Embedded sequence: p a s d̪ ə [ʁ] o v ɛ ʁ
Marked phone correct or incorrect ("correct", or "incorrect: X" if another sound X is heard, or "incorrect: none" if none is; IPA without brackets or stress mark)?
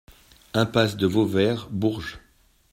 incorrect: v